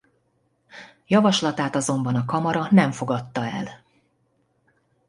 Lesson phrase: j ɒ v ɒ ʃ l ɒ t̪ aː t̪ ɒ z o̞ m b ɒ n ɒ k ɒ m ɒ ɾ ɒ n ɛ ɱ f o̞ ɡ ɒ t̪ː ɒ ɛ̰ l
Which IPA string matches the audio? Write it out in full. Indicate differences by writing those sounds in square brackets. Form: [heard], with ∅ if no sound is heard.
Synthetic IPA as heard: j ɒ v ɒ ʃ l ɒ t̪ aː t̪ ɒ z o̞ m b ɒ n ɒ k ɒ m ɒ ɾ ɒ n ɛ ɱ f o̞ ɡ ɒ t̪ː ɒ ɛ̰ l